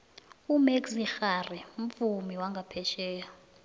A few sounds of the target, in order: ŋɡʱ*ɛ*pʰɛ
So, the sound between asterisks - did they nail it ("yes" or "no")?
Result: no